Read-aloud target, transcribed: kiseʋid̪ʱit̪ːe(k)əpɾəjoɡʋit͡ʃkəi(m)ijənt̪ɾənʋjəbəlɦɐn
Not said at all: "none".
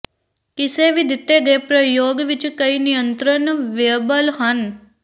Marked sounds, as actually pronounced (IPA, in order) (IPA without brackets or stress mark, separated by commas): ɡ, n